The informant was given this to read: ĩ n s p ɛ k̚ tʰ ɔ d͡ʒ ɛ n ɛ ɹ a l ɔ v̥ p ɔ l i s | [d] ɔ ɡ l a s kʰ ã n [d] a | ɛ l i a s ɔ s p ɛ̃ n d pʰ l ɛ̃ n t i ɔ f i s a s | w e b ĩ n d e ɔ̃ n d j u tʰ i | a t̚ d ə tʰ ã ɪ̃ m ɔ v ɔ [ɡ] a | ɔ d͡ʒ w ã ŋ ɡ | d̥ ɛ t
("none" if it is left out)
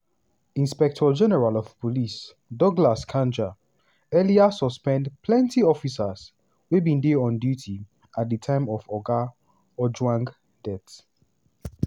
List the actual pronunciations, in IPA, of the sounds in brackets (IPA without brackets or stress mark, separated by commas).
d, d͡ʒ, ɡ